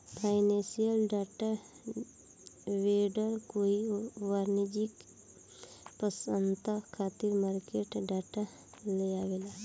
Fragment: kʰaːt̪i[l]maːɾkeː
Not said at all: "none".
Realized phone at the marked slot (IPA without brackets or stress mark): ɾ